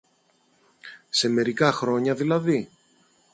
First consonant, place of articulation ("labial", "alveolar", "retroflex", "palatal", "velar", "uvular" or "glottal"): alveolar